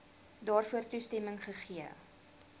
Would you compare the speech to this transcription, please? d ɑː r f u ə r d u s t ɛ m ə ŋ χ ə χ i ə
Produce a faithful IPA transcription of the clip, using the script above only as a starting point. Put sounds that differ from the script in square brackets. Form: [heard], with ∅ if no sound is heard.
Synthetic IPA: d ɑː r f u ə r [t] u s t ɛ m ə ŋ χ ə χ i ə